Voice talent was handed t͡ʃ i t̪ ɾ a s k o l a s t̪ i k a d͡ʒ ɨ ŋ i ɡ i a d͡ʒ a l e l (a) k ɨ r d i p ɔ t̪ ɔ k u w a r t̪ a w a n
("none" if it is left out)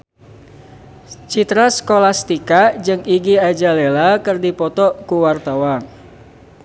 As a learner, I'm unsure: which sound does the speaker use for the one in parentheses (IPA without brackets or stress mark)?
a